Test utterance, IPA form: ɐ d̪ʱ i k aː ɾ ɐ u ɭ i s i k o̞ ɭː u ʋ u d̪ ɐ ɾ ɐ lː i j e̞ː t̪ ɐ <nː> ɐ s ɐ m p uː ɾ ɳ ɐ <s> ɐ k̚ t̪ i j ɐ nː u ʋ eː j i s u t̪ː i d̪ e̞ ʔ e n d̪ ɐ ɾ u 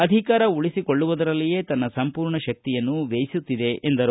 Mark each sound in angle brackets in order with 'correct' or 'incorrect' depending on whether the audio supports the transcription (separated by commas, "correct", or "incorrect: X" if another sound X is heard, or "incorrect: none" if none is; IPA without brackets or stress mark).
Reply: correct, incorrect: ʃ